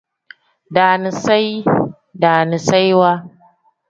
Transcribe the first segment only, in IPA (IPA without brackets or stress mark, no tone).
d